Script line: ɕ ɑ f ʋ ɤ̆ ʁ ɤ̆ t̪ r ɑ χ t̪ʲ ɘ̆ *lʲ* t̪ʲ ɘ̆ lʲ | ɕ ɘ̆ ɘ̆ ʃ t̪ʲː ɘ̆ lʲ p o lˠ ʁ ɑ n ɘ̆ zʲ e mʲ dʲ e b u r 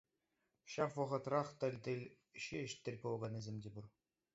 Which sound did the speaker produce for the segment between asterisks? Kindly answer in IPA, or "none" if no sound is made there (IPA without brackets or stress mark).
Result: lʲ